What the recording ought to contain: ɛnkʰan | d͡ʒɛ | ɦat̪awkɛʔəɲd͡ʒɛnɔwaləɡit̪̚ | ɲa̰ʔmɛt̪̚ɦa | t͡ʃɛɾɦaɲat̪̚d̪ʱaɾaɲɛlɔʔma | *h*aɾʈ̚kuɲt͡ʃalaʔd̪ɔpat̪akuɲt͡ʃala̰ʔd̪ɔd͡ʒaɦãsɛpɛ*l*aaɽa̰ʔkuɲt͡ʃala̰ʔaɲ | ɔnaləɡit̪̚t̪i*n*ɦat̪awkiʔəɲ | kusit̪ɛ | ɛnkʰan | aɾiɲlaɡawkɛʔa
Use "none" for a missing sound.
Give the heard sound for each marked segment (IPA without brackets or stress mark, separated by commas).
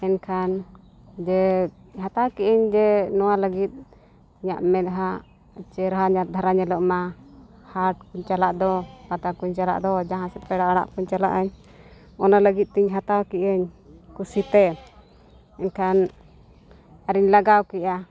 h, ɽ, ɲ